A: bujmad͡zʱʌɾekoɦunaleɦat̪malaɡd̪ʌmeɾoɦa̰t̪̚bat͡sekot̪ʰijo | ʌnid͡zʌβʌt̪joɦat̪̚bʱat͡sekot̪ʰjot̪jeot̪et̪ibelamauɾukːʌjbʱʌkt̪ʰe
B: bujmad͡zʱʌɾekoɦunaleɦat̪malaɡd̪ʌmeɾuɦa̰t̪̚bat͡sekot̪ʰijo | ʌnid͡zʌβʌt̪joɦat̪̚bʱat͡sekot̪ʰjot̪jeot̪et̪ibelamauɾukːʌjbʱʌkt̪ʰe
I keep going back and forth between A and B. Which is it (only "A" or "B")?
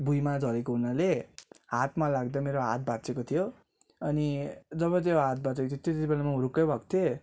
A